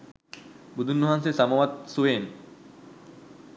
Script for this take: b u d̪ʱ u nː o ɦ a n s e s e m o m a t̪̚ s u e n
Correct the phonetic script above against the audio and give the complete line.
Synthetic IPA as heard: b u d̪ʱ u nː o ɦ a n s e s a m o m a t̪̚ s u e n